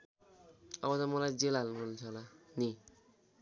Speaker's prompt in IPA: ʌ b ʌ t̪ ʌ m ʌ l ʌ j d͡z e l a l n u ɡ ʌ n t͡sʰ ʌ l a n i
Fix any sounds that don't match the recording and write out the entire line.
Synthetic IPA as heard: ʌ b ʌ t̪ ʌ m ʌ l a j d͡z e l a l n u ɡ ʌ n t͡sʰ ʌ l a n i